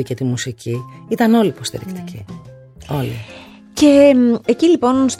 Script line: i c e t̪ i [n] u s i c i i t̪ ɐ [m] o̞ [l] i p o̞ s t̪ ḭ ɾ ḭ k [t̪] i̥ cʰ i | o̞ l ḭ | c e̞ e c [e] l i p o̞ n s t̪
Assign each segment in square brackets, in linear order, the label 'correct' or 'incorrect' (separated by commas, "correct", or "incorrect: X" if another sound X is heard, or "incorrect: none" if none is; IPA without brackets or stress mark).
incorrect: m, incorrect: n, correct, correct, incorrect: i